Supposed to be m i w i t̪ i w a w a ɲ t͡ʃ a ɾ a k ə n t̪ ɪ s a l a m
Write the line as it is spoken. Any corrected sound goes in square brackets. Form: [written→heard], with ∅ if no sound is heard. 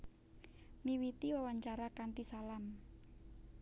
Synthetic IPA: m i w i t̪ i w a w a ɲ t͡ʃ a ɾ a k [ə→a] n t̪ [ɪ→i] s a l a m